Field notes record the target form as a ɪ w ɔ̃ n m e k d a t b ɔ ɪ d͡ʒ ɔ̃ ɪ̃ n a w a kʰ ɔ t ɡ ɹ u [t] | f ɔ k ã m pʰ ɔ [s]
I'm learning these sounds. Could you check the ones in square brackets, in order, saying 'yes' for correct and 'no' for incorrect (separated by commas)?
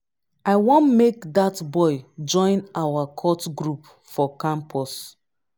no, yes